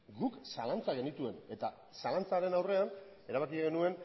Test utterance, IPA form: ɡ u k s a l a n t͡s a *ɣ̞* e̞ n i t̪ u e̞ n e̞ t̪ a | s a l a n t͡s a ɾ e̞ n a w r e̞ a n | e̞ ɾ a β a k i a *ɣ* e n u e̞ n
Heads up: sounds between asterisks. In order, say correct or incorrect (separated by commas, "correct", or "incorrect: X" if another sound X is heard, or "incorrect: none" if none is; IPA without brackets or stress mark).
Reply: correct, correct